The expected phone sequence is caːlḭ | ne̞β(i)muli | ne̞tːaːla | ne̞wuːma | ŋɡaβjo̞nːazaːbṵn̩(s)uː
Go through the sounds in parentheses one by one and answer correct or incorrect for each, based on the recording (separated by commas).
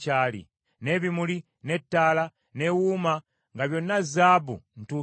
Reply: correct, incorrect